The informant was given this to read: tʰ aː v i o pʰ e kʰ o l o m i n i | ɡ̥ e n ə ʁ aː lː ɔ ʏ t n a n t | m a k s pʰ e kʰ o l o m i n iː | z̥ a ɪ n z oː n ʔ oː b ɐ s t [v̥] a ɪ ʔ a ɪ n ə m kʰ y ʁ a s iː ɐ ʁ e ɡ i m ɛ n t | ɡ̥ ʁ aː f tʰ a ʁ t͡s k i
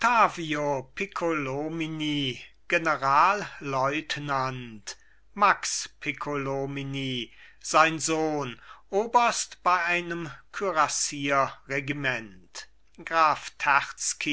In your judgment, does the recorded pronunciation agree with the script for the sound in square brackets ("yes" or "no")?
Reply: no